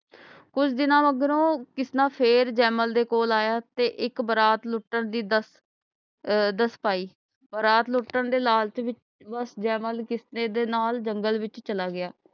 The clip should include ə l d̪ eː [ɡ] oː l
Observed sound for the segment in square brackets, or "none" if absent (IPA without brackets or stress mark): k